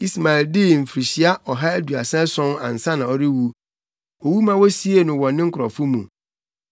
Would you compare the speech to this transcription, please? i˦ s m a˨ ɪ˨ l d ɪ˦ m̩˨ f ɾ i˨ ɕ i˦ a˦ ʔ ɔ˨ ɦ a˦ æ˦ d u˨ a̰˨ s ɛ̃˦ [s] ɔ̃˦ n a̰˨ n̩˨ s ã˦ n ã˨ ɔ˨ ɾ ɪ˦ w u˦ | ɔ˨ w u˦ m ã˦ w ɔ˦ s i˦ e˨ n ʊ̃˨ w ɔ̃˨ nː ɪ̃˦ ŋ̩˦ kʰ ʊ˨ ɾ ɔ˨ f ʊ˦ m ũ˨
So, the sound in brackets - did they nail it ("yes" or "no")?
yes